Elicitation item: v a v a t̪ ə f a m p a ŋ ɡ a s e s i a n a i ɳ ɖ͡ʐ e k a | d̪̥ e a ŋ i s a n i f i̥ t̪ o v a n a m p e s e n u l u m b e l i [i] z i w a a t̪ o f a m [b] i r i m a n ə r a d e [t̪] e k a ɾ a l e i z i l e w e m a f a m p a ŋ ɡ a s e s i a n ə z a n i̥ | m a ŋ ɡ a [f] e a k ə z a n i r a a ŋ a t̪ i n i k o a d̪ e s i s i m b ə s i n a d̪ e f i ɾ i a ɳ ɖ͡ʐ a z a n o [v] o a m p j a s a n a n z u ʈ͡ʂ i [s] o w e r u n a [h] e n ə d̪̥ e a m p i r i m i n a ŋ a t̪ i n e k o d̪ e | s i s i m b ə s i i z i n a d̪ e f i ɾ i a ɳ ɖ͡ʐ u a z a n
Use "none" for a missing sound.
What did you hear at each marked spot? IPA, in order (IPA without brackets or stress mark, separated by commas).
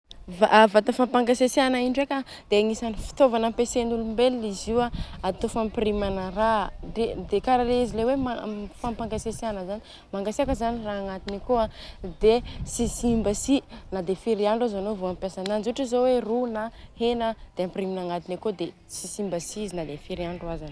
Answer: i, p, d̪, s, v, z, h